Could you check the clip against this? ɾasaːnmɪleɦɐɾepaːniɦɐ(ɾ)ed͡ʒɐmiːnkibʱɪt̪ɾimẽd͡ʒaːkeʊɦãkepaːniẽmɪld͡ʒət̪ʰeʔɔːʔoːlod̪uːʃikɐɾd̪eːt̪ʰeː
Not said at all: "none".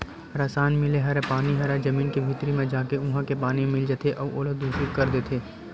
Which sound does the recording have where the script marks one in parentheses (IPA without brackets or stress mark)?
ɾ